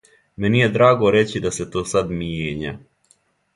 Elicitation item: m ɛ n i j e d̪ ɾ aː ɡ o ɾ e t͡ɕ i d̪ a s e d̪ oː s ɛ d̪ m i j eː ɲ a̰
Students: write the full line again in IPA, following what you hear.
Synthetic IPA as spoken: m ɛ n i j e d̪ ɾ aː ɡ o ɾ e t͡ɕ i d̪ a s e t̪ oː s a d̪ m i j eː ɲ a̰